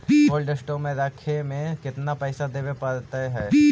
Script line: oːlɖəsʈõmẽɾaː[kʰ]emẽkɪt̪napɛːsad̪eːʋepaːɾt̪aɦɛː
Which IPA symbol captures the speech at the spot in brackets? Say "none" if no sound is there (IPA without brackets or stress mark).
kʰ